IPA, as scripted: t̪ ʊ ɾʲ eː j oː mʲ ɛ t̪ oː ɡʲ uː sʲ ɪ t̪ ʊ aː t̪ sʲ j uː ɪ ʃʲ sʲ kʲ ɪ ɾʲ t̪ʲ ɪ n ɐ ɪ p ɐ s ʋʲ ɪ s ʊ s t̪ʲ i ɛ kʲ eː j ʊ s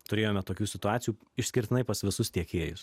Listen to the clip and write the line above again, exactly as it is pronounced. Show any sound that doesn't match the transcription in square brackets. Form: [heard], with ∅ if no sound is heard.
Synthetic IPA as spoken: t̪ ʊ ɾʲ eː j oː mʲ ɛ t̪ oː [kʲ] uː sʲ ɪ t̪ ʊ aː t̪ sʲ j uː ɪ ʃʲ sʲ kʲ ɪ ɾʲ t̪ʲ ɪ n ɐ ɪ p ɐ s ʋʲ ɪ s ʊ s t̪ʲ i ɛ kʲ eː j ʊ s

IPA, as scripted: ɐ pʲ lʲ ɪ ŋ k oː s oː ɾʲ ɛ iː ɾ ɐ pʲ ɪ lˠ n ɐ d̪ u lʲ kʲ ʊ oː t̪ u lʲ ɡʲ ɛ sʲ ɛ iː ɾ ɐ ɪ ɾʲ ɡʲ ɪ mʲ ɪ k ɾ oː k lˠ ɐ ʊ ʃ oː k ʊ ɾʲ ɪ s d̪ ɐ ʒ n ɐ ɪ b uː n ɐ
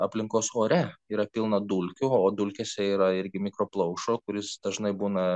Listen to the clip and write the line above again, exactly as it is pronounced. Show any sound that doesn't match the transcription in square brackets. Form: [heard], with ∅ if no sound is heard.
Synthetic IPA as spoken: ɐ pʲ lʲ ɪ ŋ k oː s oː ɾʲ ɛ iː ɾ ɐ pʲ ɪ lˠ n ɐ d̪ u lʲ kʲ ʊ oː [d̪] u lʲ [kʲ] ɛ sʲ ɛ iː ɾ ɐ ɪ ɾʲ ɡʲ ɪ mʲ ɪ k ɾ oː [p] lˠ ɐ ʊ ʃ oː k ʊ ɾʲ ɪ s d̪ ɐ ʒ n ɐ ɪ b uː n ɐ

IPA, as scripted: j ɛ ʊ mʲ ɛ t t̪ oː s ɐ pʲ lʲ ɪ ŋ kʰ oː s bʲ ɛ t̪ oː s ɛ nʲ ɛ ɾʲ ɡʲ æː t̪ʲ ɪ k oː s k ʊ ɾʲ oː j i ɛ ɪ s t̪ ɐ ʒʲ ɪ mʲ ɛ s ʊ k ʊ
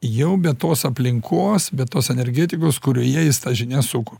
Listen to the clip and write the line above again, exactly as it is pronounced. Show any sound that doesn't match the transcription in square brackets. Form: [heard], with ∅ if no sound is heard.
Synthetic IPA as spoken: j ɛ ʊ [bʲ] ɛ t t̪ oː s ɐ pʲ lʲ ɪ ŋ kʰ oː s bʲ ɛ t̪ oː s ɛ nʲ ɛ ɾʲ ɡʲ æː t̪ʲ ɪ k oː s k ʊ ɾʲ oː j i ɛ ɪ s t̪ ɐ ʒʲ ɪ [nʲ] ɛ s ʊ k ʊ

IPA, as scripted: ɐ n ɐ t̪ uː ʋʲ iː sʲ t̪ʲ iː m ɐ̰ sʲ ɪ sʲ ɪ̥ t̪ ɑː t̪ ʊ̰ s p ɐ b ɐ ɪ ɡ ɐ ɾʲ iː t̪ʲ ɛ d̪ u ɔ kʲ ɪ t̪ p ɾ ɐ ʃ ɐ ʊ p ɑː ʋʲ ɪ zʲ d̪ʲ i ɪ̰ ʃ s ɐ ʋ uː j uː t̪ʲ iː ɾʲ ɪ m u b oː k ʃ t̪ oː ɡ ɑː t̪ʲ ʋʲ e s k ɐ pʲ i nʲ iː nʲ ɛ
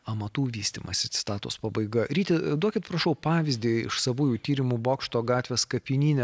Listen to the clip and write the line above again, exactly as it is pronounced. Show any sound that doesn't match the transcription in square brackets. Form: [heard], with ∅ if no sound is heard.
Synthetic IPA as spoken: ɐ [m] ɐ t̪ uː ʋʲ iː sʲ t̪ʲ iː m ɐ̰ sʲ ɪ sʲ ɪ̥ t̪ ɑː t̪ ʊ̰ s p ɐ b ɐ ɪ ɡ ɐ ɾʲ iː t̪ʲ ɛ d̪ u ɔ kʲ ɪ t̪ p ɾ ɐ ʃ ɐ ʊ p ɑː ʋʲ ɪ zʲ d̪ʲ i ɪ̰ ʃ s ɐ ʋ uː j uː t̪ʲ iː ɾʲ ɪ m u b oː k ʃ t̪ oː ɡ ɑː t̪ʲ ʋʲ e s k ɐ pʲ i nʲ iː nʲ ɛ

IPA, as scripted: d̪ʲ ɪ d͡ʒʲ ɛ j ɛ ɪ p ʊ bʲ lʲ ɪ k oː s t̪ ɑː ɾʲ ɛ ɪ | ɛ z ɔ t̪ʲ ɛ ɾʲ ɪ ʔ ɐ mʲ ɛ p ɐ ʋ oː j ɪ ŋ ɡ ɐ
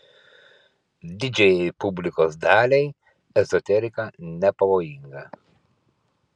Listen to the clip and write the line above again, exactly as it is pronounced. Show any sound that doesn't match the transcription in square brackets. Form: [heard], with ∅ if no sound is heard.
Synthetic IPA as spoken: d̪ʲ ɪ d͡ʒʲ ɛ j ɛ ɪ p ʊ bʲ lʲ ɪ k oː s [d̪] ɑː [lʲ] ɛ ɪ | ɛ z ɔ t̪ʲ ɛ ɾʲ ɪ [k] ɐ [nʲ] ɛ p ɐ ʋ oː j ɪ ŋ ɡ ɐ

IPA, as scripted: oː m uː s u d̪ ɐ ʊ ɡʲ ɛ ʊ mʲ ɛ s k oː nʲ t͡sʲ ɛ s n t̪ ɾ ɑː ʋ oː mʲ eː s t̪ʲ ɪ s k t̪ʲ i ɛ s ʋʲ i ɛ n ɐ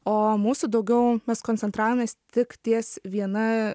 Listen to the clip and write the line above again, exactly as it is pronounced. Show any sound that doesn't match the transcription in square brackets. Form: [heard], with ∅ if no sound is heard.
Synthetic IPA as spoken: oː m uː s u d̪ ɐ ʊ ɡʲ ɛ ʊ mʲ ɛ s k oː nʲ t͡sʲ ɛ [∅] n t̪ ɾ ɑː ʋ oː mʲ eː s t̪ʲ ɪ [∅] k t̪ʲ i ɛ s ʋʲ i ɛ n ɐ

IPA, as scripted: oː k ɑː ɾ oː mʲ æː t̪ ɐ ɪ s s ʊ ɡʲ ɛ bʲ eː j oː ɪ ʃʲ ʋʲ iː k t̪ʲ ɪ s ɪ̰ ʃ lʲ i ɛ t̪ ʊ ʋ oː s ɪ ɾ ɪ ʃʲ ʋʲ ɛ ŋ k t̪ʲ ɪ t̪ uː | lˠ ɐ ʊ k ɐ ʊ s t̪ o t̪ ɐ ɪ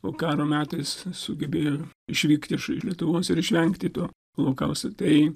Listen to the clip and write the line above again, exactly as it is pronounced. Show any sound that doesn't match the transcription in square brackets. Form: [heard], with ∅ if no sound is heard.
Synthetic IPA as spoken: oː k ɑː ɾ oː mʲ æː t̪ ɐ ɪ s s ʊ ɡʲ ɛ bʲ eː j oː ɪ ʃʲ ʋʲ iː k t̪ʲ ɪ [ʃ] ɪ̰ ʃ lʲ i ɛ t̪ ʊ ʋ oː s ɪ ɾ ɪ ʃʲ ʋʲ ɛ ŋ k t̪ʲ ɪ t̪ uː | lˠ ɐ ʊ k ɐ ʊ s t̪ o t̪ ɐ ɪ

